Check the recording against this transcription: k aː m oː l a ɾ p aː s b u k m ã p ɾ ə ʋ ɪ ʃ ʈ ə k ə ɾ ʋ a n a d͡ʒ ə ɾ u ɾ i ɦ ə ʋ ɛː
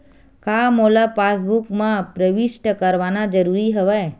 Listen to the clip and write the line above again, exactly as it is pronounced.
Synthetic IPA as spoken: k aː m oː l a p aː s b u k m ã p ɾ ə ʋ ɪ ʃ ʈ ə k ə ɾ ʋ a n a d͡ʒ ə ɾ u ɾ i ɦ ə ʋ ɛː